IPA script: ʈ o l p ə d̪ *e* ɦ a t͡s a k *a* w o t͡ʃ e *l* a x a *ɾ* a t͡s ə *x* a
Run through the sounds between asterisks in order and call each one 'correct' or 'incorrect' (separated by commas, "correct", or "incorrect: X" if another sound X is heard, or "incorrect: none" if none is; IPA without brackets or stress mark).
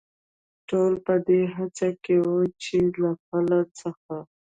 correct, incorrect: e, correct, incorrect: l, correct